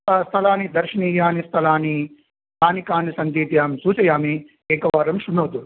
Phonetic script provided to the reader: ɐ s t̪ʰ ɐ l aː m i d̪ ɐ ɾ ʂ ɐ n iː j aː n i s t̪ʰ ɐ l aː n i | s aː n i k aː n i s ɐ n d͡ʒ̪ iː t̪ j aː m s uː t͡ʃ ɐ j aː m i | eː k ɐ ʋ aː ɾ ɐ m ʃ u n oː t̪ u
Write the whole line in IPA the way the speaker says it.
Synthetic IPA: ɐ s t̪ʰ ɐ l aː n i d̪ ɐ ɾ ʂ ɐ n iː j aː n i s t̪ʰ ɐ l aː n i | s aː n i k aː n i s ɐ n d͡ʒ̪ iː t̪ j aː m s uː t͡ʃ ɐ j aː m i | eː k ɐ ʋ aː ɾ ɐ m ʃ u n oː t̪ u